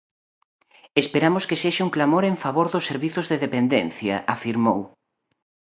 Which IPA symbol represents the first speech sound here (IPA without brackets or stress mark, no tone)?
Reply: e